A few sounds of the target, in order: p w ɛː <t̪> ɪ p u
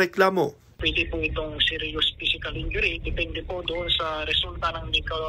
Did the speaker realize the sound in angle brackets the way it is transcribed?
no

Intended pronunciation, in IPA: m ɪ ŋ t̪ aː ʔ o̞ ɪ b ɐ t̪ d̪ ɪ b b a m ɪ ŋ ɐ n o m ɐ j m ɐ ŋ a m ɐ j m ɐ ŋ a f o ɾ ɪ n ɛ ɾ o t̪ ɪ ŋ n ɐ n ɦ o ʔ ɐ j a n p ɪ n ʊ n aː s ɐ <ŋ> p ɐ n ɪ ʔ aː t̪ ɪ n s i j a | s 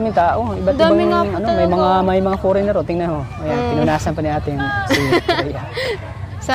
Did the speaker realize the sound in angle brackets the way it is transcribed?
no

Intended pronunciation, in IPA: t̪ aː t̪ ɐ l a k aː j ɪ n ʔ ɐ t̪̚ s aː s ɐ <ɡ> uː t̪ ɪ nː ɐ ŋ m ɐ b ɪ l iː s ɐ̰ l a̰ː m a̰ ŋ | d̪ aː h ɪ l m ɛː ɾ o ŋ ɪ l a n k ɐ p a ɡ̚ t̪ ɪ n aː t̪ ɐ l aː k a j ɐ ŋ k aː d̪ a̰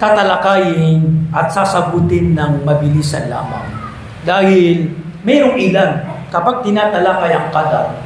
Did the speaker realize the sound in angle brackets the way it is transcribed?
yes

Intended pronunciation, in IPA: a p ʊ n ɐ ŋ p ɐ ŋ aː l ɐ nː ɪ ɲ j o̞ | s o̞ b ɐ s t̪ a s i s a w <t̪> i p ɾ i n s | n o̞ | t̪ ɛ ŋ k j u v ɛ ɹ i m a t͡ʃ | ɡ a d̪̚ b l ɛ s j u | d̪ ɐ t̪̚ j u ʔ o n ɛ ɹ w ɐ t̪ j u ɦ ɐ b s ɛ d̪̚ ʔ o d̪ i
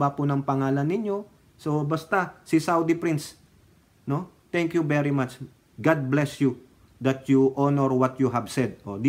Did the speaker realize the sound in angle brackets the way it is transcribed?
no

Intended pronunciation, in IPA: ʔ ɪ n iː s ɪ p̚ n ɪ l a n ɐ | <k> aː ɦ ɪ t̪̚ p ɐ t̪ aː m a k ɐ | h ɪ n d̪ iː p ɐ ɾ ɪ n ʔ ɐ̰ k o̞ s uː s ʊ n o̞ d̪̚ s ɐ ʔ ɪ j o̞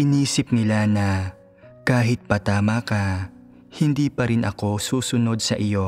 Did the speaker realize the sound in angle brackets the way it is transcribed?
yes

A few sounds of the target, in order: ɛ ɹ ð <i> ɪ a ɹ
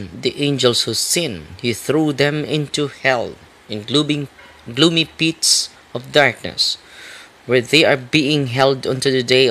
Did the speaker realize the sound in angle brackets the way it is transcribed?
no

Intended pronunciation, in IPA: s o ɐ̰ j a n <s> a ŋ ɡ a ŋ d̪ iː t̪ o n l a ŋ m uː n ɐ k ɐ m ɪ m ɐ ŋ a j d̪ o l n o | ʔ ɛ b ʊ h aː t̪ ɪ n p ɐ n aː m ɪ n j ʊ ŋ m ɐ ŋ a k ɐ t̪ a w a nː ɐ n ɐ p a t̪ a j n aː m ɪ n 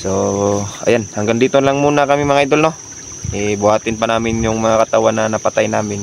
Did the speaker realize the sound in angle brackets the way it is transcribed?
no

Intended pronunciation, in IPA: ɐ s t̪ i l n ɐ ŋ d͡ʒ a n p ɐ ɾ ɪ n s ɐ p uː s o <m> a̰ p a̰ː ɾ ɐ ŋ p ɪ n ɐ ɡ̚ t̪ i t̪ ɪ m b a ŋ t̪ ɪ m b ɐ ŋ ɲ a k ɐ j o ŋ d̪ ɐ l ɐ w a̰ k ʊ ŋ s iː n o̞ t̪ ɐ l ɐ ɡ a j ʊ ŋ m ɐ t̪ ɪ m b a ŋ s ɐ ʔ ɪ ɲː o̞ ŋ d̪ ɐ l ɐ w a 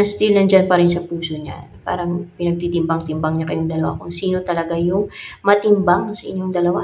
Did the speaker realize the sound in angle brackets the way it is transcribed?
no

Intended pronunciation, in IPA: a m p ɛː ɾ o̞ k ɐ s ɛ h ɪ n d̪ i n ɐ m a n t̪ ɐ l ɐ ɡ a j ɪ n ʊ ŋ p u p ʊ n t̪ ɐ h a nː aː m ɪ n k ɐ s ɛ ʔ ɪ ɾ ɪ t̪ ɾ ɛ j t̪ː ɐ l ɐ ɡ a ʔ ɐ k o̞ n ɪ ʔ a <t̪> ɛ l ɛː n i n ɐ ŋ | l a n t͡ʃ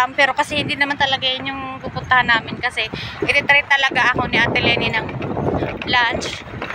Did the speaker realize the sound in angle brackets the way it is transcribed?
yes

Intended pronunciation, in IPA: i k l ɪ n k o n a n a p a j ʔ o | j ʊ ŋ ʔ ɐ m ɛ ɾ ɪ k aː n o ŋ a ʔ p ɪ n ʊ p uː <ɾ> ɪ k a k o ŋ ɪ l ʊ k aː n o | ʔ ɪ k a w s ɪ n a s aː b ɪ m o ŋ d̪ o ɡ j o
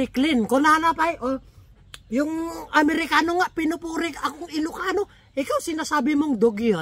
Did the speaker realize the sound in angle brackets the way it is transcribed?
yes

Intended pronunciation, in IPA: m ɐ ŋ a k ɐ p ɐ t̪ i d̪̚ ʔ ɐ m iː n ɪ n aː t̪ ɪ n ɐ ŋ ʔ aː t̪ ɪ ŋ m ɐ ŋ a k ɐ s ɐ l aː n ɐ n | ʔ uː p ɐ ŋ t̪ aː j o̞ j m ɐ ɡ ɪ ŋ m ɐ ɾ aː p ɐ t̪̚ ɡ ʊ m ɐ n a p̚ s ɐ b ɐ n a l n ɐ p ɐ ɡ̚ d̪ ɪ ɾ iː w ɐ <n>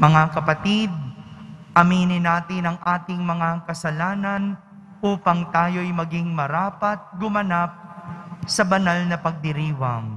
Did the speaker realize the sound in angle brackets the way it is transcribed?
no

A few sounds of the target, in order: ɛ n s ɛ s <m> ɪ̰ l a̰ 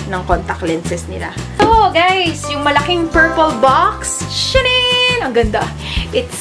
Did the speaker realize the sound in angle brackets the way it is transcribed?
no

